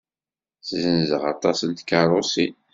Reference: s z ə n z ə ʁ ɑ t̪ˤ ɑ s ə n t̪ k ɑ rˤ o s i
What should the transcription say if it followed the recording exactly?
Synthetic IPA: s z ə n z ə ʁ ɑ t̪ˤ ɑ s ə n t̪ k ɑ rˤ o s i